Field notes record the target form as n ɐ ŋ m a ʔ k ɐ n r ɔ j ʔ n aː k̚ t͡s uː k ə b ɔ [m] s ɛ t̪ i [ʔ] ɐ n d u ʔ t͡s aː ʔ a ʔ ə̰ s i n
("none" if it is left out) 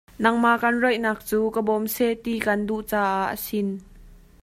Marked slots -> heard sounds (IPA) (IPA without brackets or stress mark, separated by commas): m, k